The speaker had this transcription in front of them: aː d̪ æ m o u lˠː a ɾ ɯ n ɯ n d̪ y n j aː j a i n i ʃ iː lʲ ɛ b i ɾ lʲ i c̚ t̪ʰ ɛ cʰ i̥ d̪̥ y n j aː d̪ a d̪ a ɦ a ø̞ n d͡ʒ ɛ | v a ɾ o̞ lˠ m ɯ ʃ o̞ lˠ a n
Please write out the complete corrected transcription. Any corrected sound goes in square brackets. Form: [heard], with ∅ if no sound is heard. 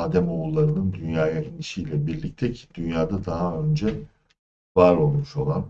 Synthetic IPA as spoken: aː d̪ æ m o u lˠː a ɾ ɯ n ɯ n d̪ y n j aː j a i n i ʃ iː lʲ ɛ b i ɾ lʲ i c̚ t̪ʰ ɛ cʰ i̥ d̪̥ y n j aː d̪ a d̪ a ɦ a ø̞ n d͡ʒ ɛ | v a ɾ o̞ lˠ m [u] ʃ o̞ lˠ a n